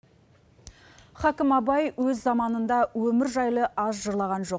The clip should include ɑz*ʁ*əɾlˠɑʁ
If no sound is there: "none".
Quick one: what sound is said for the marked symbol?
ʒ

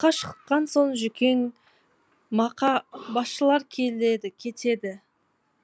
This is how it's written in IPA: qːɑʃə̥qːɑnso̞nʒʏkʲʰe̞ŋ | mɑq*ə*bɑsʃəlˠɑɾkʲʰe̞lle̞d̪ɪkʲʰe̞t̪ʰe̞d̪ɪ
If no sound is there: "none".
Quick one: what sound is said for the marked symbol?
ɑ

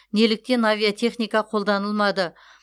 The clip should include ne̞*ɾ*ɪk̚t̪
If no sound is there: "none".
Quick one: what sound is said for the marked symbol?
l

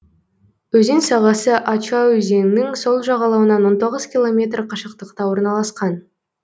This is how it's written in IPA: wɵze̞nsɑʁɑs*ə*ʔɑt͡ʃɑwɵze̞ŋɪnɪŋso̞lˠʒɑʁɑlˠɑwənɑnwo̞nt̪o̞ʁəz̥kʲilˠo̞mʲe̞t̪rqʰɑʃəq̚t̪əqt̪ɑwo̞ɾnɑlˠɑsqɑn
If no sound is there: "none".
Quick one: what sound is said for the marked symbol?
ə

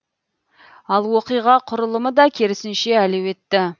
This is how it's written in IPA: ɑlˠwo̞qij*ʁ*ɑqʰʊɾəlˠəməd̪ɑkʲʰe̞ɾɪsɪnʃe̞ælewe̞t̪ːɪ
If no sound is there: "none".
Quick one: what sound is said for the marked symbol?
ʁ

